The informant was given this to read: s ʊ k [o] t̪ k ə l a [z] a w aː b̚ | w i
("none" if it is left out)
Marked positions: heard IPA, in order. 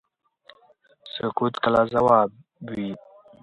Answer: u, z

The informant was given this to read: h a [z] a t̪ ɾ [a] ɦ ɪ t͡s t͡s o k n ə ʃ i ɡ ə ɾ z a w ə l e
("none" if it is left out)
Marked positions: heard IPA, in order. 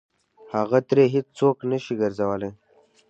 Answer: ɣ, e

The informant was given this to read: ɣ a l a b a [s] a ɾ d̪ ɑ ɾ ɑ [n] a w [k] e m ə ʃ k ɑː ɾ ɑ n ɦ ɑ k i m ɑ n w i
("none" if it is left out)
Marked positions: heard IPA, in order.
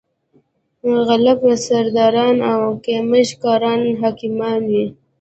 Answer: s, n, k

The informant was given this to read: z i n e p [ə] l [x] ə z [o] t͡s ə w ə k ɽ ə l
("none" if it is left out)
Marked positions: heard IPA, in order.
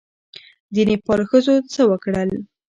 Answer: ɑ, x, o

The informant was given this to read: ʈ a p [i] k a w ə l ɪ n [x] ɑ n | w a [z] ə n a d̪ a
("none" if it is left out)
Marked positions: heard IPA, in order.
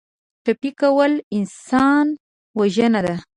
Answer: i, s, ʒ

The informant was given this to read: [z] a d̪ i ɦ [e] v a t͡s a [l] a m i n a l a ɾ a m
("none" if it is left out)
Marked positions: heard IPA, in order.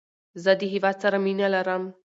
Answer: z, i, ɾ

